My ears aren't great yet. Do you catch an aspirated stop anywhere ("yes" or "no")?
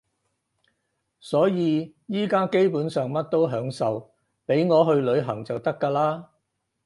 no